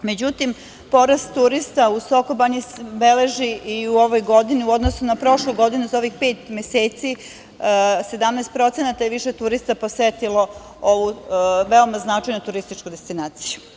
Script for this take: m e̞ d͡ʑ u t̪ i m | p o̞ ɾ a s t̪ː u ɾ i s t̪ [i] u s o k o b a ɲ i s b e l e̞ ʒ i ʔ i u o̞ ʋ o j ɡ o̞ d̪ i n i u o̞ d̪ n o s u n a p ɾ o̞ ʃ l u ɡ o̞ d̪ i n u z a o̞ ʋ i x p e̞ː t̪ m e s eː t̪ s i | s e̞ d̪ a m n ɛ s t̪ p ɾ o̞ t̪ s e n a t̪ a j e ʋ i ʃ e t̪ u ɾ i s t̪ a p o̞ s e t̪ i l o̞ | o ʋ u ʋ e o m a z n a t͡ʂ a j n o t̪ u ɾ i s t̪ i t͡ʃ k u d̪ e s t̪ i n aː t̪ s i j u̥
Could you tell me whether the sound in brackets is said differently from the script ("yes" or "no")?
yes